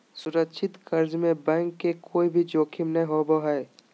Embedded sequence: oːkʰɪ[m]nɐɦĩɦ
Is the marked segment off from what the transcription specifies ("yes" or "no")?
no